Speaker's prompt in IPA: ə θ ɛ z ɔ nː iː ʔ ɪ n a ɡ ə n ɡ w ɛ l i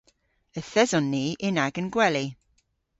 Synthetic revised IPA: ə θ ɛ z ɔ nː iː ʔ ɪ n a ɡ ə n ɡ w ɛ l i

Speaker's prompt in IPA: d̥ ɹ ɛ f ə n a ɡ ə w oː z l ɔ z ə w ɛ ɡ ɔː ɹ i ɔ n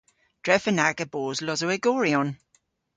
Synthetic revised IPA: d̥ ɹ ɛ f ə n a ɡ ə b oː z l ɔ z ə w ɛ ɡ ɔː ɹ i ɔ n

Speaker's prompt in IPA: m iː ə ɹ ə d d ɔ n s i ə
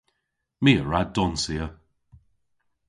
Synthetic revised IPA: m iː ə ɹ a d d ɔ n s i ə

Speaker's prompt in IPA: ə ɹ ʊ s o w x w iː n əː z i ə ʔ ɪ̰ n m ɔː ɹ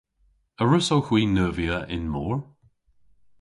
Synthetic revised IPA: ə ɹ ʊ s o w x w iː n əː v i ə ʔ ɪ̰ n m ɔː ɹ

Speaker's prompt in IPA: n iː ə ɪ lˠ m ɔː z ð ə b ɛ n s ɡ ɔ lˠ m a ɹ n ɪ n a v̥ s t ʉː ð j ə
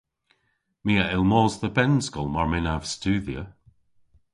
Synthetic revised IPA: m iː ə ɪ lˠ m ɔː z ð ə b ɛ n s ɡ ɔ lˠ m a ɹ m ɪ n a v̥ s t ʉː ð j ə

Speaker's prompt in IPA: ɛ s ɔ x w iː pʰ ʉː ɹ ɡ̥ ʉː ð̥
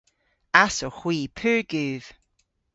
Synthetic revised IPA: a s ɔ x w iː pʰ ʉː ɹ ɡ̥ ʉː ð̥

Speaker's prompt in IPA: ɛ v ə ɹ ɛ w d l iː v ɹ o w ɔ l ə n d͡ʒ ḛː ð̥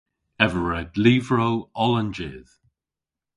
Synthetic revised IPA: ɛ v ə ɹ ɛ d l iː v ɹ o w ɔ l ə n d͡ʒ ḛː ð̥

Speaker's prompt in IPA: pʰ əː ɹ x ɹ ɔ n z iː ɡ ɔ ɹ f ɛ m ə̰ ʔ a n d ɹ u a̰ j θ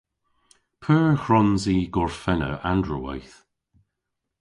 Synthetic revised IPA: pʰ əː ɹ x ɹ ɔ n z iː ɡ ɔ ɹ f ɛ n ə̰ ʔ a n d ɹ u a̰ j θ

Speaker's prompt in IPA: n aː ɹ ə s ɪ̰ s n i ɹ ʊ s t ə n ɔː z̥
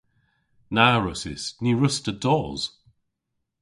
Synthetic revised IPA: n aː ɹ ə s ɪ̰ s n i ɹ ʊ s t ə d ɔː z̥

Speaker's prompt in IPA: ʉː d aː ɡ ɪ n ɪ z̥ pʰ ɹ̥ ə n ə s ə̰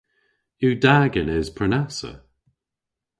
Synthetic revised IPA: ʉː d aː ɡ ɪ n ɪ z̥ pʰ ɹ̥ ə n a s ə̰

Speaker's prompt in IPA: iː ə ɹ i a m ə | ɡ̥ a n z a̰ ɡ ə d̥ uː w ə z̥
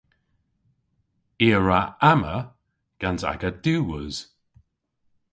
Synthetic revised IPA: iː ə ɹ a a m ə | ɡ̥ a n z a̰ ɡ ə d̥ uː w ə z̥

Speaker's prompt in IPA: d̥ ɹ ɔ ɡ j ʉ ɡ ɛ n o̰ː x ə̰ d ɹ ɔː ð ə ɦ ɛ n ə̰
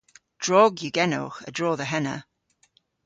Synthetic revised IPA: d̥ ɹ ɔ ɡ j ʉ ɡ ɛ n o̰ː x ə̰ d ɹ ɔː ð ə ɦ ɛ n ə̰

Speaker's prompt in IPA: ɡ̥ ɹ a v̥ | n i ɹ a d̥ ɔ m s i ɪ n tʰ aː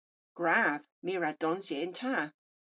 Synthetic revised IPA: ɡ̥ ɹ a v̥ | m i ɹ a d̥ ɔ n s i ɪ n tʰ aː

